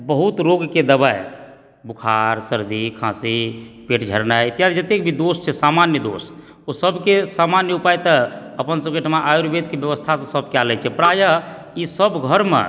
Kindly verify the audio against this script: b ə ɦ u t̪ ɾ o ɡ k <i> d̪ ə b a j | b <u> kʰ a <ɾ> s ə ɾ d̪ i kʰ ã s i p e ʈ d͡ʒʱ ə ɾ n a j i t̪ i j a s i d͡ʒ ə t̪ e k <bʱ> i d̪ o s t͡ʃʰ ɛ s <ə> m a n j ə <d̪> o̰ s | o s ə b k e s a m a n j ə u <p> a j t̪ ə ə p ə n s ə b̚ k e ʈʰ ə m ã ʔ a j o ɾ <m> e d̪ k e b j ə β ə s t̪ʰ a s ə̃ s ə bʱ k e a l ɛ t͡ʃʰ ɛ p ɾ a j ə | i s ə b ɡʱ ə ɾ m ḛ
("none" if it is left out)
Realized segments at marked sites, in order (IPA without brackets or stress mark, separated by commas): e, u, ɾ, bʱ, a, d̪, p, b